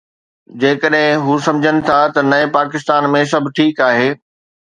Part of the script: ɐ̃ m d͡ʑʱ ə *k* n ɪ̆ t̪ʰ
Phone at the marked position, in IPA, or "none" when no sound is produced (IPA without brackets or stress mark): none